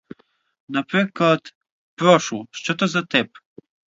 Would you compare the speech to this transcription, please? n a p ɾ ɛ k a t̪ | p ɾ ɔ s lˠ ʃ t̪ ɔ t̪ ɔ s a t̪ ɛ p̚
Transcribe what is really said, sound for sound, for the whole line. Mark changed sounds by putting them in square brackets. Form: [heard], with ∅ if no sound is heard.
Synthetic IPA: n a p ɾ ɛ k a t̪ | p ɾ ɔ [ʃ] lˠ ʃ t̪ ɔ t̪ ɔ [z] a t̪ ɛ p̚